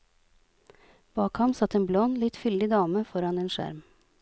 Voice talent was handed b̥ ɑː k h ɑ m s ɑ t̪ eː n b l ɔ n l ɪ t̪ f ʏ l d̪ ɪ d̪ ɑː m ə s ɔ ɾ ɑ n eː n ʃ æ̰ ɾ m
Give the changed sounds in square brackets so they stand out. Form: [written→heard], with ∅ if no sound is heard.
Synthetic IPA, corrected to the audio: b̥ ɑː k h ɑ m s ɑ t̪ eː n b l ɔ n l ɪ t̪ f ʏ l d̪ ɪ d̪ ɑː m ə [s→f] ɔ ɾ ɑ n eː n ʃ æ̰ ɾ m